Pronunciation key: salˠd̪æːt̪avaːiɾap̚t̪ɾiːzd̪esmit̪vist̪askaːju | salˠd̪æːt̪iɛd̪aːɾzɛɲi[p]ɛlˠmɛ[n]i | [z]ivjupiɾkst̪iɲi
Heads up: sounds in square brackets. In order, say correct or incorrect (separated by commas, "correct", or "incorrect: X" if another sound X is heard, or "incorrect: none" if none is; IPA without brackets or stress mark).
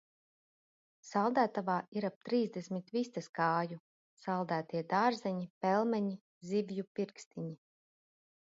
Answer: correct, incorrect: ɲ, correct